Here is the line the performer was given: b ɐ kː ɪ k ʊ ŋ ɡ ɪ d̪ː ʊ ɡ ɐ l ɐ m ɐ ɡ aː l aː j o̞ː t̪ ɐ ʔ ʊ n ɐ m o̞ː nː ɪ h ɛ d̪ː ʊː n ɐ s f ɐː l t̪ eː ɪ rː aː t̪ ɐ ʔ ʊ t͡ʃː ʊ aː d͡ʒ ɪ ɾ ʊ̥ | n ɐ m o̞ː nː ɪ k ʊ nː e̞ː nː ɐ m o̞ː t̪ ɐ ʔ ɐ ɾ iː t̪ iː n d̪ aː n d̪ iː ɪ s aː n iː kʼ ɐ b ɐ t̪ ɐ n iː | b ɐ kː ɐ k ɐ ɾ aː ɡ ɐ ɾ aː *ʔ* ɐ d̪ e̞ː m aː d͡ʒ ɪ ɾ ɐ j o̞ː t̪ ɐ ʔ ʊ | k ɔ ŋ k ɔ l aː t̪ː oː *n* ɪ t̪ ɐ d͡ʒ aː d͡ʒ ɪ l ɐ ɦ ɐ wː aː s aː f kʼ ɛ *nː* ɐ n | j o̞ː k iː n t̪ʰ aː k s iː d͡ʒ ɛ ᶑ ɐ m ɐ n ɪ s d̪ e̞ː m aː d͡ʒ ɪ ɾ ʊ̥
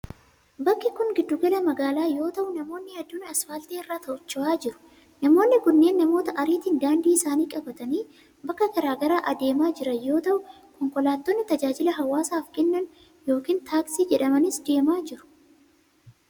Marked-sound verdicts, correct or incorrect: correct, incorrect: nː, correct

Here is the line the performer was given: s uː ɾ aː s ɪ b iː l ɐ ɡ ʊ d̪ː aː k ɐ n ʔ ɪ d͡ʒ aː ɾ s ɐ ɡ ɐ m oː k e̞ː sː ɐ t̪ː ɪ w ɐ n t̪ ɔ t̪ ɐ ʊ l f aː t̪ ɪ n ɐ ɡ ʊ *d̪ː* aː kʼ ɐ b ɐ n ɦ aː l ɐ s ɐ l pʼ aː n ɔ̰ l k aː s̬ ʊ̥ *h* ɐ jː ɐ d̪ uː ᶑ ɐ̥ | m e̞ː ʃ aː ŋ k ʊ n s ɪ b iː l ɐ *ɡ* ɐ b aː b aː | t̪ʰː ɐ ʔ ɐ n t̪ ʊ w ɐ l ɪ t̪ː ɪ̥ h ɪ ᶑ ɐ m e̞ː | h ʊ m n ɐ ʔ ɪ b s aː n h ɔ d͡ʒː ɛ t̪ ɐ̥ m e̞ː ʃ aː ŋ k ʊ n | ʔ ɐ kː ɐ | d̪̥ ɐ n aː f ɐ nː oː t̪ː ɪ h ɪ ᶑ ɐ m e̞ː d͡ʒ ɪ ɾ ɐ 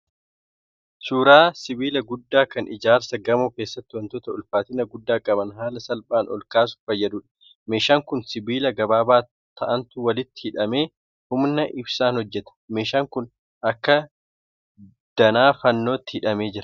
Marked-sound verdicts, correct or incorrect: correct, incorrect: f, correct

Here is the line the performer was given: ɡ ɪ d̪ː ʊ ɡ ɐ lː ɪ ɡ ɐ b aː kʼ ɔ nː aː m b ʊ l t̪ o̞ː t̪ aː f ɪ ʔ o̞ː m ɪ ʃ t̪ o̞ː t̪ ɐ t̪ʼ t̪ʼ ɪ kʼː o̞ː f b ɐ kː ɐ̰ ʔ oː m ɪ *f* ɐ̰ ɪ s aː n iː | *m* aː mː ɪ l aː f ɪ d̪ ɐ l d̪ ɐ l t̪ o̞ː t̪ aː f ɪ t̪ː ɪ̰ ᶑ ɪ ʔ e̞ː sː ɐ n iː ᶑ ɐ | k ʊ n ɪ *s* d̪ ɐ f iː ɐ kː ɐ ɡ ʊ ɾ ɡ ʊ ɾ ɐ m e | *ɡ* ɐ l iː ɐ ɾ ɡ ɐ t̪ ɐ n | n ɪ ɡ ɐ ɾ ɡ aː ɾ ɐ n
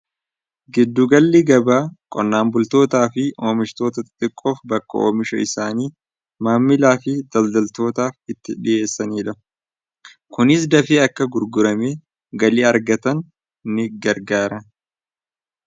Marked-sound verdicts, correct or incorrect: incorrect: ʃ, correct, correct, correct

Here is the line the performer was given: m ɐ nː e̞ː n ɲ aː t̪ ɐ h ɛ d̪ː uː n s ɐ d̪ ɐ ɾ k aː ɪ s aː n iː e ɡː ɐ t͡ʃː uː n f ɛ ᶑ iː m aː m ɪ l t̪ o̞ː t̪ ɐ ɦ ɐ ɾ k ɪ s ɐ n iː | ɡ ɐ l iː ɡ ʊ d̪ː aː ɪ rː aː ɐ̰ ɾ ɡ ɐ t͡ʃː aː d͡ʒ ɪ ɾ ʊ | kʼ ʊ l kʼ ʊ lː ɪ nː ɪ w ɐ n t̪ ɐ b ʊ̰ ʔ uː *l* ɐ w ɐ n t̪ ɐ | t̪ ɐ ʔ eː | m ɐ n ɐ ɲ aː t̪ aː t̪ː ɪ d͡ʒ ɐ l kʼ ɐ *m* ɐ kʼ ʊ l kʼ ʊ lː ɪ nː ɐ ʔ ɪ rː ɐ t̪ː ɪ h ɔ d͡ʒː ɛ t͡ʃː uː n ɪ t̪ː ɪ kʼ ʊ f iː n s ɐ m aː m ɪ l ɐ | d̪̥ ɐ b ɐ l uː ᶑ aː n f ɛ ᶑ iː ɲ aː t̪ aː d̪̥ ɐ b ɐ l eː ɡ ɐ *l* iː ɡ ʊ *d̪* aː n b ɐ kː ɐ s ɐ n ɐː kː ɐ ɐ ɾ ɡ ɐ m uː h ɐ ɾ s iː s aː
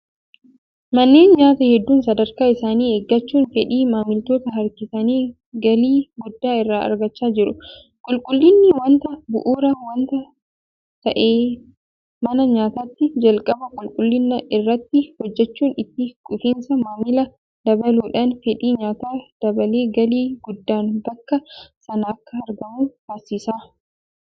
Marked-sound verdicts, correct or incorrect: incorrect: ɾ, incorrect: b, correct, incorrect: d̪ː

